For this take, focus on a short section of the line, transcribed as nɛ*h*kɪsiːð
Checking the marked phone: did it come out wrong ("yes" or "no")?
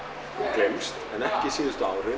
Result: no